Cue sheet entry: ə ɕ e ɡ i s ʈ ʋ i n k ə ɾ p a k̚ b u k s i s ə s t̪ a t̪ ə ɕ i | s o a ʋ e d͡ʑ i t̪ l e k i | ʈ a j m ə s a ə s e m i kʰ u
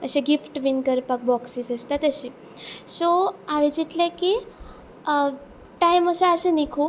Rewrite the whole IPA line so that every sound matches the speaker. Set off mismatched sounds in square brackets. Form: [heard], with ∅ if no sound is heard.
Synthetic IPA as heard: ə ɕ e ɡ i [f] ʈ ʋ i n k ə ɾ p a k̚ b [ɔ] k s i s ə s t̪ a t̪ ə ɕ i | s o a ʋ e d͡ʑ i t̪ l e k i | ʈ a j m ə s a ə s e [n] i kʰ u

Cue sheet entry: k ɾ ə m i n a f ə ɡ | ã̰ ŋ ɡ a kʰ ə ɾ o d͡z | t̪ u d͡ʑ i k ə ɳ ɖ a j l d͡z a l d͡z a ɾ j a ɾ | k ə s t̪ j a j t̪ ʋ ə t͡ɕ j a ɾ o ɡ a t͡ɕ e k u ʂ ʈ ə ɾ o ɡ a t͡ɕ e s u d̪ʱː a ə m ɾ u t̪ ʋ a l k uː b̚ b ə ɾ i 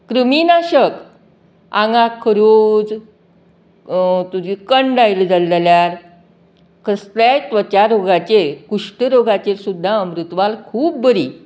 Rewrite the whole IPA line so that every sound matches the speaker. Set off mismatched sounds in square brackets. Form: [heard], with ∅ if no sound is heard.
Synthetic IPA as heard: k ɾ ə m i n a [ɕ] ə [k] | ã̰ ŋ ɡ a kʰ ə ɾ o d͡z | t̪ u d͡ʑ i k ə ɳ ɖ a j l d͡z a l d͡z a [l] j a ɾ | k ə s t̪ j a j t̪ ʋ ə t͡ɕ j a ɾ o ɡ a t͡ɕ e k u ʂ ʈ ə ɾ o ɡ a t͡ɕ e s u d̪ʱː a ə m ɾ u t̪ ʋ a l [kʰ] uː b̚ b ə ɾ i

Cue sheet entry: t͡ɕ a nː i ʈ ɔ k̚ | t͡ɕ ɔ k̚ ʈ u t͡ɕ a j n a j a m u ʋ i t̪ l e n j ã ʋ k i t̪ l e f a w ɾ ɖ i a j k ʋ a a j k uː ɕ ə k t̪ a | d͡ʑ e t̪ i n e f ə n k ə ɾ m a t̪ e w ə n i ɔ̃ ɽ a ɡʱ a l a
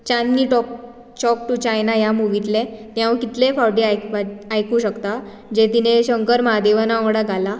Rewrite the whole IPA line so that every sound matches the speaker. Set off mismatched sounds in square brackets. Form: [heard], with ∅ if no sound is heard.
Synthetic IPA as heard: t͡ɕ a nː i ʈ ɔ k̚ | t͡ɕ ɔ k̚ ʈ u t͡ɕ a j n a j a m u ʋ i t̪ l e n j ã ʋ k i t̪ l e f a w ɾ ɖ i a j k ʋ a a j k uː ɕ ə k t̪ a | d͡ʑ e t̪ i n e [ɕ] ə [ŋ] k ə ɾ m a [d̪] e [ʋ] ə n [a] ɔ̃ ɽ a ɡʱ a l a

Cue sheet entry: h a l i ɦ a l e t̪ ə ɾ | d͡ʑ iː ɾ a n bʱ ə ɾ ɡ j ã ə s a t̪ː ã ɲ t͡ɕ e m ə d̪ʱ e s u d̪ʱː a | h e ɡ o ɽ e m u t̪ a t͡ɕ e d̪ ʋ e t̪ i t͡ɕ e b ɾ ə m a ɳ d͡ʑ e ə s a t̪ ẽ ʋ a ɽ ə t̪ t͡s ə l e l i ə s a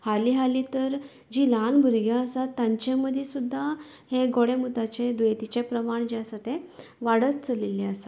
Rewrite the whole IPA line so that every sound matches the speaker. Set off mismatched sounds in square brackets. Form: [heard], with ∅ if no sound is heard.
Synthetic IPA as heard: h a l i ɦ a l [i] t̪ ə ɾ | d͡ʑ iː [l] a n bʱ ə ɾ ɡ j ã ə s a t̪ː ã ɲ t͡ɕ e m ə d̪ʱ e s u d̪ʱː a | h e ɡ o ɽ e m u t̪ a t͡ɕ e d̪ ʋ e t̪ i t͡ɕ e [p] ɾ ə m a ɳ d͡ʑ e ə s a t̪ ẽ ʋ a ɽ ə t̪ t͡s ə l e l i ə s a

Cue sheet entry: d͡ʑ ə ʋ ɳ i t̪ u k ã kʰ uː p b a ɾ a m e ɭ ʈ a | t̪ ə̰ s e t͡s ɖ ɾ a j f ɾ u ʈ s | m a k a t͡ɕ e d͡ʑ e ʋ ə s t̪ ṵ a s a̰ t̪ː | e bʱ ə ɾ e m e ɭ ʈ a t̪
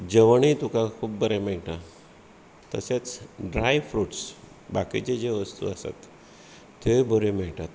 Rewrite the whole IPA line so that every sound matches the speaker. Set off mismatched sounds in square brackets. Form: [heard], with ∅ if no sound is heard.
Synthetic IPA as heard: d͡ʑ ə ʋ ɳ i t̪ u k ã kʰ uː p b [ə] ɾ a m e ɭ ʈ a | t̪ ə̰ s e t͡s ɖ ɾ a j f ɾ u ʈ s | [b] a k [i] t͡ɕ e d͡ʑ e ʋ ə s t̪ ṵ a s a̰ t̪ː | e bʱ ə ɾ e m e ɭ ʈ a t̪

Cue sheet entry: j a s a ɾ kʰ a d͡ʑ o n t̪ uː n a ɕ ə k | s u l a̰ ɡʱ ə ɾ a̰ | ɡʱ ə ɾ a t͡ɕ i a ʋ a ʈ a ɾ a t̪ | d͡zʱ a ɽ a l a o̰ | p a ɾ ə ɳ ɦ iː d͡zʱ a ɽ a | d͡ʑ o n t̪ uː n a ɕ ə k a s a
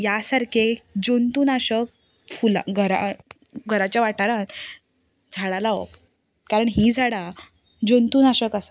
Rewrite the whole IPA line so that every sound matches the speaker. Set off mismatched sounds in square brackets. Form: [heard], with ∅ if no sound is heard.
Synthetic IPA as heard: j a s a ɾ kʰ [e] d͡ʑ o n t̪ uː n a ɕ ə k | [f] u l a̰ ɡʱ ə ɾ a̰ | ɡʱ ə ɾ a t͡ɕ [j] a ʋ a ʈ a ɾ a t̪ | d͡zʱ a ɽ a l a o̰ | [k] a ɾ ə ɳ ɦ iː d͡zʱ a ɽ a | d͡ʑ o n t̪ uː n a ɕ ə k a s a

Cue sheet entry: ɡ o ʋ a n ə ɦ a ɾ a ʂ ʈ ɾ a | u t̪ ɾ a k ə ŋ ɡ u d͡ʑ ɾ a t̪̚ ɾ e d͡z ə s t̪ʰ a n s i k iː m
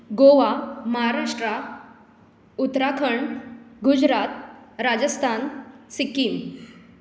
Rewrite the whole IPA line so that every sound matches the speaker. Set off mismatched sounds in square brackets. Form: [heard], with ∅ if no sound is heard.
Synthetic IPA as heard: ɡ o ʋ a [m] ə ɦ a ɾ a ʂ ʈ ɾ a | u t̪ ɾ a [kʰ] ə [ɳ] ɡ u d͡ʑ ɾ a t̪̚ ɾ [a] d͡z ə s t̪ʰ a n s i k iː m

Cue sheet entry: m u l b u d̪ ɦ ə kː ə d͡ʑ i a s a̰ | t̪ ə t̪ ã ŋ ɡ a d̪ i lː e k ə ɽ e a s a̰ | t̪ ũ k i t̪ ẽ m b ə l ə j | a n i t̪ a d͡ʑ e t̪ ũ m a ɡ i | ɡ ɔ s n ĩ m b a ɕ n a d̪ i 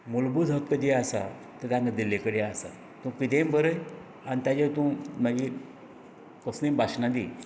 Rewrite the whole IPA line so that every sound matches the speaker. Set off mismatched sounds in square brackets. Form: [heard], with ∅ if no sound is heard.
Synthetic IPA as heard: m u l b u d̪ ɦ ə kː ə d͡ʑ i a s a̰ | t̪ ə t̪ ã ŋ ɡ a d̪ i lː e k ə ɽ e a s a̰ | t̪ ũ k i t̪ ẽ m b ə [ɾ] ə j | a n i t̪ a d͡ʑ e t̪ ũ m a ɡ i | [k] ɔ s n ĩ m b a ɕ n a d̪ i

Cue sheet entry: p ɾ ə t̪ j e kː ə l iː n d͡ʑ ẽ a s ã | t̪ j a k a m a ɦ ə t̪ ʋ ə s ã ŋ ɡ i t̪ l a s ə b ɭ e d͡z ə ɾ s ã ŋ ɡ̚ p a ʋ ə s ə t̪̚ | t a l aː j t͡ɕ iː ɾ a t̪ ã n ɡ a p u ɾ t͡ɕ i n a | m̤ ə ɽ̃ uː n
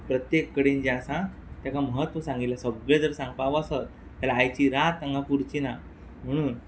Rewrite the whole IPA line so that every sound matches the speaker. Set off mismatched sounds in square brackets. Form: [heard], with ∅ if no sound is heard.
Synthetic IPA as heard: p ɾ ə t̪ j e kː ə [ɽ] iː n d͡ʑ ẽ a s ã | t̪ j a k a m [ə] ɦ ə t̪ ʋ ə s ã ŋ ɡ i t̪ l a s ə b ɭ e d͡z ə ɾ s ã ŋ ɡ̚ p a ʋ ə s ə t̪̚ | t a l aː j t͡ɕ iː ɾ a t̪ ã [ŋ] ɡ a p u ɾ t͡ɕ i n a | m̤ ə ɽ̃ uː n

